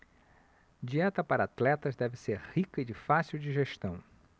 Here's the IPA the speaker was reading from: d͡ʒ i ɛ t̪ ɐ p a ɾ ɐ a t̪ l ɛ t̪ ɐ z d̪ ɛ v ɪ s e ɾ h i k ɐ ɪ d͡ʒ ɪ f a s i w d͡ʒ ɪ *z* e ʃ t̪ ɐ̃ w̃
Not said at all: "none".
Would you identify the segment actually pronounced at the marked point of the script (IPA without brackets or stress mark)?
ʒ